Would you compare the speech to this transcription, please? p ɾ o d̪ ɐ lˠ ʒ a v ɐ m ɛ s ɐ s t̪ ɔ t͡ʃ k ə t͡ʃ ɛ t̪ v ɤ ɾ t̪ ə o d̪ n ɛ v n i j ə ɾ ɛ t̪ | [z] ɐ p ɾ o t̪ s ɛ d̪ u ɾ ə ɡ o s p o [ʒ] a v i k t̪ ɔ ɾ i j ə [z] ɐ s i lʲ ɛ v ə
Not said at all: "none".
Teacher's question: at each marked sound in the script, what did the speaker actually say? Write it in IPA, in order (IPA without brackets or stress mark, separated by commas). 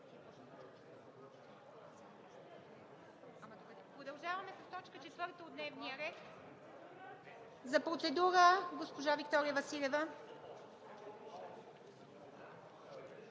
z, ʒ, v